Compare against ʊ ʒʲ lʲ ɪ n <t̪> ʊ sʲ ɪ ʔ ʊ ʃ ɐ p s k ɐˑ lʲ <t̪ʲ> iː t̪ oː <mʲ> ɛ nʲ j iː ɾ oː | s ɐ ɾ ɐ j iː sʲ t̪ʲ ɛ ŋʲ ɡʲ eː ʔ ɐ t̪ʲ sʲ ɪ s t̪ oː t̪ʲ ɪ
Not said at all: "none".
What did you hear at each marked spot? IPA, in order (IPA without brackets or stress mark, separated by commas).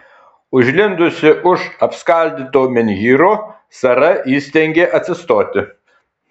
d̪, d̪ʲ, mʲ